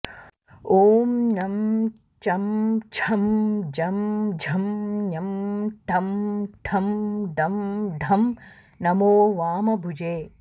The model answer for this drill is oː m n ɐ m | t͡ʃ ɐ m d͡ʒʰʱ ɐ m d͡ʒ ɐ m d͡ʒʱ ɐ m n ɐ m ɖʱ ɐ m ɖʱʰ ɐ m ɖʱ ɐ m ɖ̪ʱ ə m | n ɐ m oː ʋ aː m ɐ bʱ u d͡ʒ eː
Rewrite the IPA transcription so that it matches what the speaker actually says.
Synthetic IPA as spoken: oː m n ɐ m | t͡ʃ ɐ m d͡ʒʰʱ ɐ m d͡ʒ ɐ m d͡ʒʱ ɐ m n ɐ m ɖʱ ɐ m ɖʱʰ ɐ m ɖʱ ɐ m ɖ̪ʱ ɐ m | n ɐ m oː ʋ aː m ɐ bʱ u d͡ʒ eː